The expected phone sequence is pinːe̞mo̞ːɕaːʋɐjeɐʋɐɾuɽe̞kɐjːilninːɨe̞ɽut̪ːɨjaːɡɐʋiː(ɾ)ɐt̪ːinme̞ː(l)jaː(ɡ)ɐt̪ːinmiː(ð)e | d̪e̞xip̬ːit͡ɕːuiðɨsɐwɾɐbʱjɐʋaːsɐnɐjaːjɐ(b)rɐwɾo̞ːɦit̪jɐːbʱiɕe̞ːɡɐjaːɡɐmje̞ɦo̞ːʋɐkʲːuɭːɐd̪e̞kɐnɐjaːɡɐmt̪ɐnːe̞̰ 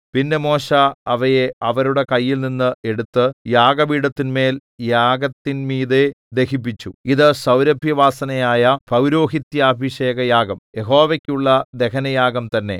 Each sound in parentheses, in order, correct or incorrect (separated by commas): incorrect, correct, correct, correct, incorrect